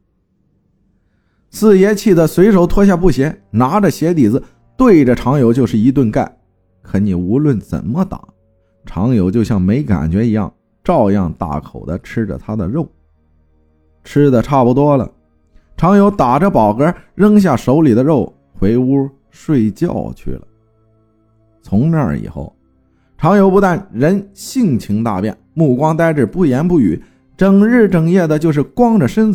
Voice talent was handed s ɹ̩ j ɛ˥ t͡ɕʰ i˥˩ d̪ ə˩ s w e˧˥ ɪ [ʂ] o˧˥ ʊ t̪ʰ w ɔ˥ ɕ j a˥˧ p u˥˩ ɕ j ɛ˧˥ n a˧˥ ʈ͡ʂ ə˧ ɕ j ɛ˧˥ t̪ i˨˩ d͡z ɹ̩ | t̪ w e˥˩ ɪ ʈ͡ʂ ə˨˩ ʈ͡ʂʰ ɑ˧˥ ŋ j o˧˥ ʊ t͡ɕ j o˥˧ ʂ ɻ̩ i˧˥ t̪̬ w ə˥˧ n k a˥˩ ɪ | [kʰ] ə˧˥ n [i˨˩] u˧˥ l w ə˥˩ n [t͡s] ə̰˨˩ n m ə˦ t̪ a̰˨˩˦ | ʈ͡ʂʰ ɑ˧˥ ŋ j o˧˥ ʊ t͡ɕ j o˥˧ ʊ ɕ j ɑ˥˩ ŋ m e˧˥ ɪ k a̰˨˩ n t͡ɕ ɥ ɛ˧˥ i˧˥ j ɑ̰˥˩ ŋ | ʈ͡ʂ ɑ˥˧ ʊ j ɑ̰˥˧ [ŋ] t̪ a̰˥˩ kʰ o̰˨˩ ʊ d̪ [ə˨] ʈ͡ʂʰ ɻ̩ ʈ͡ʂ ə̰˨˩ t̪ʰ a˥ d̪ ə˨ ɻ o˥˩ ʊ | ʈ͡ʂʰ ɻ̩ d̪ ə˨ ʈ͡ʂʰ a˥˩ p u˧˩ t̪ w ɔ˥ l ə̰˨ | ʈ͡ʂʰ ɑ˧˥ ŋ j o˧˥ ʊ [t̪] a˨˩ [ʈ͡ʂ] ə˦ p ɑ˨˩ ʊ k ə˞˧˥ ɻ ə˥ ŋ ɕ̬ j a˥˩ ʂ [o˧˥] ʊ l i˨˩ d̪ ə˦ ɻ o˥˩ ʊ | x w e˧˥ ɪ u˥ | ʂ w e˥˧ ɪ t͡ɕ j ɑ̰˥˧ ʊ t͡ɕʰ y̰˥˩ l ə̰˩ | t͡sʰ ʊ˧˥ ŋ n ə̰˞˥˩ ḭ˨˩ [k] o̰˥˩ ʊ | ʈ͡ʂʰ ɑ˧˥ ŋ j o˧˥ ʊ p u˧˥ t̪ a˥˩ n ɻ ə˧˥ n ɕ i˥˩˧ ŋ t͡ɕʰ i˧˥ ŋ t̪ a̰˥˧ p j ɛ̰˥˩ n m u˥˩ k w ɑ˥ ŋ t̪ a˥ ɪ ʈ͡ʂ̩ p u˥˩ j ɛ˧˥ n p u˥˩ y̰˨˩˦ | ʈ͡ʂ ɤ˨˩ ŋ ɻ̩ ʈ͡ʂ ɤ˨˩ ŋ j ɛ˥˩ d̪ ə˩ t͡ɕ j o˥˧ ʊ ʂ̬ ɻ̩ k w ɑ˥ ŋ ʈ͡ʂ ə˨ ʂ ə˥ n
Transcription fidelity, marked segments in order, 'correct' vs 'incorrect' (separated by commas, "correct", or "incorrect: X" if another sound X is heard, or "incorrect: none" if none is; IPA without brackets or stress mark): correct, correct, correct, correct, correct, incorrect: ə˦, correct, correct, correct, incorrect: x